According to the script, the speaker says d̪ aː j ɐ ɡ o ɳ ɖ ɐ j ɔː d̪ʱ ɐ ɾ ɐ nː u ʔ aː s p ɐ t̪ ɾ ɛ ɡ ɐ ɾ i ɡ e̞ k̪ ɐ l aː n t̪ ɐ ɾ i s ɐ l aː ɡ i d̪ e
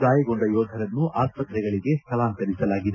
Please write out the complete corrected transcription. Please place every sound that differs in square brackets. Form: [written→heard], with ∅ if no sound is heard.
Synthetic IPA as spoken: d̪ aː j ɐ ɡ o ɳ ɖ ɐ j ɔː d̪ʱ ɐ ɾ ɐ nː u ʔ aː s p ɐ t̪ ɾ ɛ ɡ ɐ [ɾ→ɭ] i ɡ e̞ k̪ ɐ l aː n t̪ ɐ ɾ i s ɐ l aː ɡ i d̪ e

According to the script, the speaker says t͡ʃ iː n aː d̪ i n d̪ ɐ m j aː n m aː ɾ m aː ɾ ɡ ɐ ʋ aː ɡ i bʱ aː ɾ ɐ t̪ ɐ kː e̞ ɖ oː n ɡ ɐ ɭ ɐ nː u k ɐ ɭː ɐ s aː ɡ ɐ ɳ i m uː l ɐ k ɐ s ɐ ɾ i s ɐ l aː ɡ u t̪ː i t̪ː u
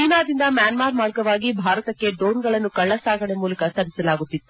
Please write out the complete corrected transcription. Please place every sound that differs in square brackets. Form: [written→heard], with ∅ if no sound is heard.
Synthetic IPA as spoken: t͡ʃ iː n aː d̪ i n d̪ ɐ m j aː n m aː ɾ m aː ɾ ɡ ɐ ʋ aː ɡ i bʱ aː ɾ ɐ t̪ ɐ kː e̞ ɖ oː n ɡ ɐ ɭ ɐ nː u k ɐ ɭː ɐ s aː ɡ ɐ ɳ [i→e] m uː l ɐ k ɐ s ɐ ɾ i s ɐ l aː ɡ u t̪ː i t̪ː u

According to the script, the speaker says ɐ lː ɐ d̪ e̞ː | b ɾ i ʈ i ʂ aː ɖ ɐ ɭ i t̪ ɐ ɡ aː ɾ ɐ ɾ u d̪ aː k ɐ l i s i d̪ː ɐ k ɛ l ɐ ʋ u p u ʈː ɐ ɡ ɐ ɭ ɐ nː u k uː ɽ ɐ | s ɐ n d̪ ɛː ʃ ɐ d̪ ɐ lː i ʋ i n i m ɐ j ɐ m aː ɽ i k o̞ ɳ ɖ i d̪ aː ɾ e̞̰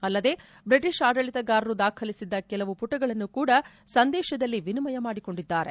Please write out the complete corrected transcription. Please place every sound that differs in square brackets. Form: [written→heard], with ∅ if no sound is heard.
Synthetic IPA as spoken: ɐ lː ɐ d̪ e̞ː | b ɾ i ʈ i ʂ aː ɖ ɐ ɭ i t̪ ɐ ɡ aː ɾ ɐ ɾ u d̪ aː [k→kʰ] ɐ l i s i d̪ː ɐ k ɛ l ɐ ʋ u p u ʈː ɐ ɡ ɐ ɭ ɐ nː u k uː ɽ ɐ | s ɐ n d̪ ɛː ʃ ɐ d̪ ɐ lː i ʋ i n i m ɐ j ɐ m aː ɽ i k o̞ ɳ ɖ i [d̪→d̪ː] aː ɾ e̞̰

